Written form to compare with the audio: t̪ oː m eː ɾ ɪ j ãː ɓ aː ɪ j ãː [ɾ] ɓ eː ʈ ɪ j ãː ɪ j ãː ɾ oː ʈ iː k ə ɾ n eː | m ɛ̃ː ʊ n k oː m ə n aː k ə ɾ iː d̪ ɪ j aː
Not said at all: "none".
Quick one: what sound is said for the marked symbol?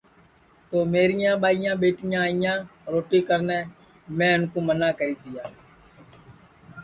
none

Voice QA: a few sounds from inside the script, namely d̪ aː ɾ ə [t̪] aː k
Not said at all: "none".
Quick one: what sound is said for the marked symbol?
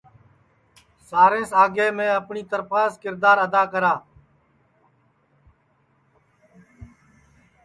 d̪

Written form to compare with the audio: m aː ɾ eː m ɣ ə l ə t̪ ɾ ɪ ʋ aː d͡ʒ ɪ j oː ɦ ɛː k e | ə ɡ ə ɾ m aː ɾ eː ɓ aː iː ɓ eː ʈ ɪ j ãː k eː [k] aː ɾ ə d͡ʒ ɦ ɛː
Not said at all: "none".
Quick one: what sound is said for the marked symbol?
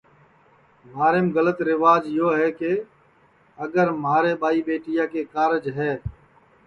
k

